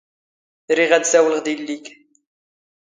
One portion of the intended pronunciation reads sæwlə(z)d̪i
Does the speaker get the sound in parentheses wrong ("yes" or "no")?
yes